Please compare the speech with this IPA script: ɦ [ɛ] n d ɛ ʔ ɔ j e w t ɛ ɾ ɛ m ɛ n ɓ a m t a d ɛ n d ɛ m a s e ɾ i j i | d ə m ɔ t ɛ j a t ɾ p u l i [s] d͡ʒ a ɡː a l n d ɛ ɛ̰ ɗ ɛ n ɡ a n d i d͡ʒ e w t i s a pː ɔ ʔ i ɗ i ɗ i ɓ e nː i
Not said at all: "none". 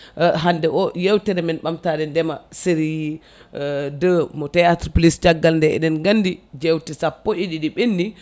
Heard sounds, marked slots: a, s

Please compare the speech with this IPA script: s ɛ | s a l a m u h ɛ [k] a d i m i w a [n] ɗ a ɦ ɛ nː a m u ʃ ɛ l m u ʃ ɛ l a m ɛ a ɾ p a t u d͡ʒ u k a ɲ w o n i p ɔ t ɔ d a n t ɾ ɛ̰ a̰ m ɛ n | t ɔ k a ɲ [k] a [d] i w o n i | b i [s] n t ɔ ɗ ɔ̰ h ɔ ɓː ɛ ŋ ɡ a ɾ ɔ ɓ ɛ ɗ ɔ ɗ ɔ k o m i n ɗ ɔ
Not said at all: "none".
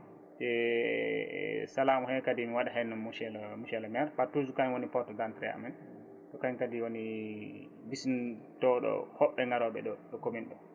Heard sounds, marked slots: k, none, k, d, s

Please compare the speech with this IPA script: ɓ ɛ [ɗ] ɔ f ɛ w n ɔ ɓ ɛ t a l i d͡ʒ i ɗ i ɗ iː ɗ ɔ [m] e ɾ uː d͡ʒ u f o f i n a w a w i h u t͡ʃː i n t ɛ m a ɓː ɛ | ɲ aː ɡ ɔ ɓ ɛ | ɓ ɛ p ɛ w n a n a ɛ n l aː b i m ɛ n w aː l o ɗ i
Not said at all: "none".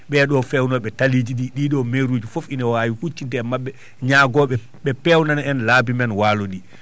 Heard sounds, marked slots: ɗ, m

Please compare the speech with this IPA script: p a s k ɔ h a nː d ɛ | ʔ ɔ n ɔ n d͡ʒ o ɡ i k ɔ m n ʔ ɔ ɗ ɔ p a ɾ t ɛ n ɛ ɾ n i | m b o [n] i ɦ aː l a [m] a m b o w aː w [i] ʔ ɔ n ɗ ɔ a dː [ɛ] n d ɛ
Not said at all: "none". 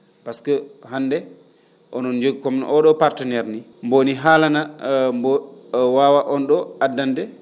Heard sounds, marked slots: n, n, a, a

